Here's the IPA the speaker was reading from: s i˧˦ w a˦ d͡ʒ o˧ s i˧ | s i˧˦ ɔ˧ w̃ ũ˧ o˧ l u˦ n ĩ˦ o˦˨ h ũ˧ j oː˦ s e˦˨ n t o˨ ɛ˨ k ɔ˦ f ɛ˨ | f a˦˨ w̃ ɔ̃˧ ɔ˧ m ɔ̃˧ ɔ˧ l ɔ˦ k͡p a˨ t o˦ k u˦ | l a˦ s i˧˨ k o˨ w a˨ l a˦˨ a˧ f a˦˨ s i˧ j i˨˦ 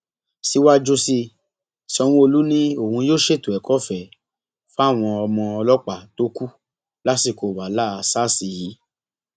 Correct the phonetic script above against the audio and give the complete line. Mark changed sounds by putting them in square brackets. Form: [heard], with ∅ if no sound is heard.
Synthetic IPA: s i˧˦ w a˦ d͡ʒ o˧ s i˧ | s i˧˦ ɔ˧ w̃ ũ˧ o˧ l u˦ n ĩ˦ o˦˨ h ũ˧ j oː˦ [ʃ] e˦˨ [∅] t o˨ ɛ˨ k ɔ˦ f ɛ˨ | f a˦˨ w̃ ɔ̃˧ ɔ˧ m ɔ̃˧ ɔ˧ l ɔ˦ k͡p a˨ t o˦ k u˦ | l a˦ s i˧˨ k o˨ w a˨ l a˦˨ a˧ [s] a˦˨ s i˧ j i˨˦